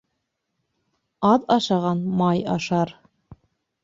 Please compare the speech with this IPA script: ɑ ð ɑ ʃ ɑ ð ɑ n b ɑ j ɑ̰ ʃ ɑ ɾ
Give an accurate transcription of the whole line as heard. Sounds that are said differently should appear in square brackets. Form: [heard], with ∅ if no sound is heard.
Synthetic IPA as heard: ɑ ð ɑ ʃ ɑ [ʁ] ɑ n [m] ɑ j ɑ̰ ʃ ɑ ɾ